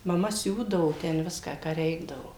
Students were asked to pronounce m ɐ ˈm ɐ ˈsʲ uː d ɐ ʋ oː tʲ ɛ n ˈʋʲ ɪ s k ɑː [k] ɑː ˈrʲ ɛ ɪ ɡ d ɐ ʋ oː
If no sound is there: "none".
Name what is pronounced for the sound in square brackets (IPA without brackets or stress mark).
k